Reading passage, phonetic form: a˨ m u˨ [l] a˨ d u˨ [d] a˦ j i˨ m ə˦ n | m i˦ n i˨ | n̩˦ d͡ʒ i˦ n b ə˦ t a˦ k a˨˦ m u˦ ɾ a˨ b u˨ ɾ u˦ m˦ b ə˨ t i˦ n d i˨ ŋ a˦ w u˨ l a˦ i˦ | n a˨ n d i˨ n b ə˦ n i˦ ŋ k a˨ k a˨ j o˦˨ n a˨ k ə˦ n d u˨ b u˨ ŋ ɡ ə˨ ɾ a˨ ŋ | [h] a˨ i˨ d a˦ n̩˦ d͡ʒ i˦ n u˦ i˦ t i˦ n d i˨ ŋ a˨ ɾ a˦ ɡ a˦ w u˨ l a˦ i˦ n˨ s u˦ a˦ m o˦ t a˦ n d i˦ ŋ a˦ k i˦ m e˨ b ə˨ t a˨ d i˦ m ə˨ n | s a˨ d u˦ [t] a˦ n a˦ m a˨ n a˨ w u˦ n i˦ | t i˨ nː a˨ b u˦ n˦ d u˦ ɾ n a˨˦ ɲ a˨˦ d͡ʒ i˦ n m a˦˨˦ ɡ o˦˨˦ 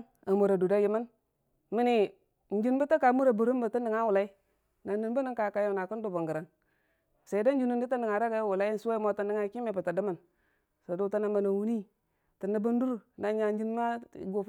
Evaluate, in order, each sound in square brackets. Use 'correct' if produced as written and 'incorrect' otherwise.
incorrect, correct, incorrect, correct

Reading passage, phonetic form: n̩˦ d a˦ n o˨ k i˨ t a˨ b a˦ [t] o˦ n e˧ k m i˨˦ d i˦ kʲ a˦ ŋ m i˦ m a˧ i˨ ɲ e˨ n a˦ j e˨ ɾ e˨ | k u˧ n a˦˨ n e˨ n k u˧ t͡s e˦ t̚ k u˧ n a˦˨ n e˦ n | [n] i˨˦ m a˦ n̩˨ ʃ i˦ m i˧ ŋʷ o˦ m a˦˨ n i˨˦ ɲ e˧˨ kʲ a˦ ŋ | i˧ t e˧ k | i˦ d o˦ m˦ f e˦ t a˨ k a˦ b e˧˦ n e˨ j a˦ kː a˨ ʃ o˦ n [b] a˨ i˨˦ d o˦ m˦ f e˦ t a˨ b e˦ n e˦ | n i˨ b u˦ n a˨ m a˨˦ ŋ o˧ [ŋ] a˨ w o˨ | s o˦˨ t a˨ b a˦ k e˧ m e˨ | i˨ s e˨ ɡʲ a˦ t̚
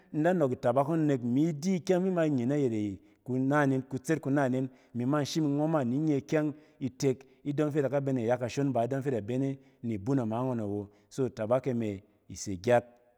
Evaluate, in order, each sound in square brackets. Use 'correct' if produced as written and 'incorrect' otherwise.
incorrect, incorrect, correct, incorrect

